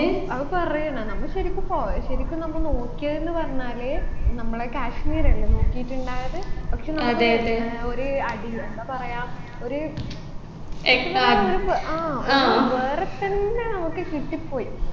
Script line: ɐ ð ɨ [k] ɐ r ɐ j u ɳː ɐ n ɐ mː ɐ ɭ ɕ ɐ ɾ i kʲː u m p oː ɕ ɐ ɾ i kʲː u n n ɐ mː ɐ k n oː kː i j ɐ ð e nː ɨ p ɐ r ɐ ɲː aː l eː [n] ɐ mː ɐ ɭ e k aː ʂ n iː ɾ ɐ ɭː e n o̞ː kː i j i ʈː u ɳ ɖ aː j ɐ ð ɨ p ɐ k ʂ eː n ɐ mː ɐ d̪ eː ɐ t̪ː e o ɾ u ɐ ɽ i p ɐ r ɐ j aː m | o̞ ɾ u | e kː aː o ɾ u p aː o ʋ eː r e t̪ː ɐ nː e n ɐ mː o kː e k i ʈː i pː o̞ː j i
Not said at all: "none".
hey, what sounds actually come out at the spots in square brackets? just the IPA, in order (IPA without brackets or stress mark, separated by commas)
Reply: p, n